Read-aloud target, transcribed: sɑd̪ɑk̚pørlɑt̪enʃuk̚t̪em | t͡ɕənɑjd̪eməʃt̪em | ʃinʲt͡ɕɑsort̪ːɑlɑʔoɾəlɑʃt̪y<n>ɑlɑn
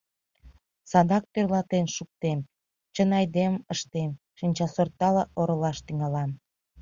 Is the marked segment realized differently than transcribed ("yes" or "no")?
yes